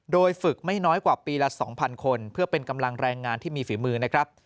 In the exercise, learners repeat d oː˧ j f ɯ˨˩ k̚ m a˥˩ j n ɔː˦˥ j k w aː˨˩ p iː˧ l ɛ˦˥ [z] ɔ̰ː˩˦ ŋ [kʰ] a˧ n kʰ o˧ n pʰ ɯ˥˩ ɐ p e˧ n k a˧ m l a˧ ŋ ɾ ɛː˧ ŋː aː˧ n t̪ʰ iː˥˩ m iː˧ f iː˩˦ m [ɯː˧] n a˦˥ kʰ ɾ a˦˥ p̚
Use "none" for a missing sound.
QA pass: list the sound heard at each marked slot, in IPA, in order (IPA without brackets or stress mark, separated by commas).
s, pʰ, ɯː˧